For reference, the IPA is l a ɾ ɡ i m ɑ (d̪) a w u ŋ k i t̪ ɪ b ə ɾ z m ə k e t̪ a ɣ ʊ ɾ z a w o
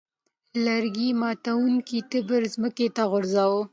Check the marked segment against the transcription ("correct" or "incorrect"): incorrect